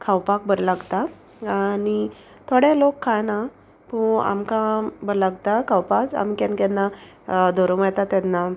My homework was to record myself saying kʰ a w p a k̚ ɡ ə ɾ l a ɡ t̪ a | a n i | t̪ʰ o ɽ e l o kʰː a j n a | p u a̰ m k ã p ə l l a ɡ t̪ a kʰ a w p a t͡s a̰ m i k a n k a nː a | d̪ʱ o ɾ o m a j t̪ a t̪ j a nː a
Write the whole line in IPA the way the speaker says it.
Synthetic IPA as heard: kʰ a w p a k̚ b ə ɾ l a ɡ t̪ a | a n i | t̪ʰ o ɽ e l o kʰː a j n a | p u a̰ m k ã b ə ɾ l a ɡ t̪ a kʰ a w p a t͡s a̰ m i k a n k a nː a | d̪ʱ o ɾ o m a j t̪ a t̪ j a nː a

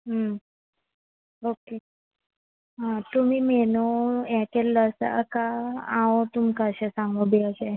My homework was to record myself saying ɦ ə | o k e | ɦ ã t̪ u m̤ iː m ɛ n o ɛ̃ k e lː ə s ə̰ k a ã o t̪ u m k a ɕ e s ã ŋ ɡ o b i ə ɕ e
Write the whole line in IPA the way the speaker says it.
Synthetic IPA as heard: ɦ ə | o k e | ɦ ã t̪ u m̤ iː m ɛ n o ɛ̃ k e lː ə s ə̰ k a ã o t̪ u m k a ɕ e s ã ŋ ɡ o b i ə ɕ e

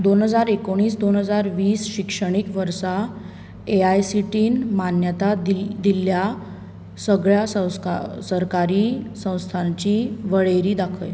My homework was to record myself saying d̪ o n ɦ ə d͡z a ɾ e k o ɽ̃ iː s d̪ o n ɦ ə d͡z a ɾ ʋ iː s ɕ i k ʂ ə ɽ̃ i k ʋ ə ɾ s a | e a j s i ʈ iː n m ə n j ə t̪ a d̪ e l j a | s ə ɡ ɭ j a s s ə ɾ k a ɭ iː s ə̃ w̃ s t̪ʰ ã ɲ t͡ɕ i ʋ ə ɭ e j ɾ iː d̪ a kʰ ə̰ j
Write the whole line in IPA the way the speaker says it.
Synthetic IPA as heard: d̪ o n ɦ ə d͡z a ɾ e k o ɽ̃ iː s d̪ o n ɦ ə d͡z a ɾ ʋ iː s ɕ i k ʂ ə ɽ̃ i k ʋ ə ɾ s a | e a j s i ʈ iː n m a n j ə t̪ a d̪ i l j a | s ə ɡ ɭ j a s s ə ɾ k a ɾ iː s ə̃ w̃ s t̪ʰ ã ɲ t͡ɕ i ʋ ə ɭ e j ɾ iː d̪ a kʰ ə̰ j

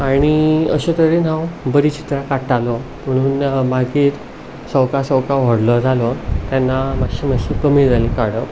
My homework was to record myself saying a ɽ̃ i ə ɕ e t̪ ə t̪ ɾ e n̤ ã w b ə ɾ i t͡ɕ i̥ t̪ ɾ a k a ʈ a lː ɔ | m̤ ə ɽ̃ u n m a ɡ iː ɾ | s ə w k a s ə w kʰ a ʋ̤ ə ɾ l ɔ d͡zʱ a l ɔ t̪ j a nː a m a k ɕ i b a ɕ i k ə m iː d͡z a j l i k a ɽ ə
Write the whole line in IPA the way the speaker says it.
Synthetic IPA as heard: a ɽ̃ i ə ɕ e t̪ ə ɾ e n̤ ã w b ə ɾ i t͡ɕ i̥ t̪ ɾ a k a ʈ a l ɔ | m̤ ə ɽ̃ uː n m a ɡ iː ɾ | s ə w k a s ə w k a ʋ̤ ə ɽ l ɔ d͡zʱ a l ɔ t̪ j a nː a m a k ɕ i m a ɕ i k ə m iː d͡z a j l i k a ɽ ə

